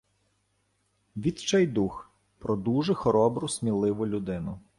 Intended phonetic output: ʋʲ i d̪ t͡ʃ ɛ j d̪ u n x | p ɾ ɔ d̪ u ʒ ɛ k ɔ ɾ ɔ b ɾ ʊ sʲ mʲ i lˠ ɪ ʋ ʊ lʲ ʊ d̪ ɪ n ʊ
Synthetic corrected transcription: ʋʲ i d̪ t͡ʃ ɛ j d̪ u x | p ɾ ɔ d̪ u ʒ ɛ x ɔ ɾ ɔ b ɾ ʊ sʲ mʲ i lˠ ɪ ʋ ʊ lʲ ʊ d̪ ɪ n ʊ